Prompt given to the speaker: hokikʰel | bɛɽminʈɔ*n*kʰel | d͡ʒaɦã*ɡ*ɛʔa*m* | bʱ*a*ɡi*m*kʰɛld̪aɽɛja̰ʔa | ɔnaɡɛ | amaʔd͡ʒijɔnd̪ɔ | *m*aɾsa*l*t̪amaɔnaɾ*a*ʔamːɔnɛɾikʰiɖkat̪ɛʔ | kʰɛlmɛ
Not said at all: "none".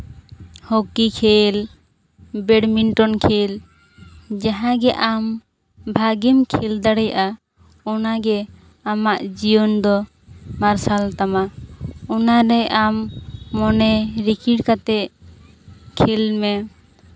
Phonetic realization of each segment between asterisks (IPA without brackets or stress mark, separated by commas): n, ɡ, m, a, m, m, l, ɛ